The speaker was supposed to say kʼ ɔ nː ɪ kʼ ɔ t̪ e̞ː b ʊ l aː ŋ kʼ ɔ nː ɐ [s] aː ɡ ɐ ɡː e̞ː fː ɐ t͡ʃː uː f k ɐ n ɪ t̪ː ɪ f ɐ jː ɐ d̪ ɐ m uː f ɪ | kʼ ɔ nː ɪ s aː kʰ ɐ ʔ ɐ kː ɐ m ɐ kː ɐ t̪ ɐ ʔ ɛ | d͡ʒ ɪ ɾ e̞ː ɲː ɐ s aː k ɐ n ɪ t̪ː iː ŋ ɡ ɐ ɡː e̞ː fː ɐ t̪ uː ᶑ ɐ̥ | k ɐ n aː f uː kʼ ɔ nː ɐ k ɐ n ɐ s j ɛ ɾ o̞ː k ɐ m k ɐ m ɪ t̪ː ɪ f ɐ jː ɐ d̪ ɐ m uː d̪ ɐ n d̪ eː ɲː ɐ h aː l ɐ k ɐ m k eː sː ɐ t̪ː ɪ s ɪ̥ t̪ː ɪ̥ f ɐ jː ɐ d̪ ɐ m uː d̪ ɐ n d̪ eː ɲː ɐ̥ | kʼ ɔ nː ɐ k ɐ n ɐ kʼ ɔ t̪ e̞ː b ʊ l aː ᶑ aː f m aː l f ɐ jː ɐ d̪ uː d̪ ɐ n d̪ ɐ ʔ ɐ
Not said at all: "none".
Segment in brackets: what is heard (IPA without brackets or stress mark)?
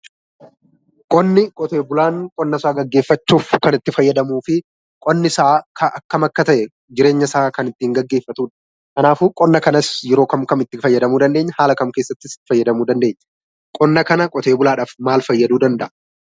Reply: s